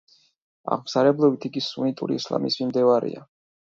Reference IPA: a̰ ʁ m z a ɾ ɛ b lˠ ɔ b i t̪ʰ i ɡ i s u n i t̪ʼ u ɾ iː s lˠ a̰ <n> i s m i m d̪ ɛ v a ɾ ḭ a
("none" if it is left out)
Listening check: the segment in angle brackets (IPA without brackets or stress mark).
m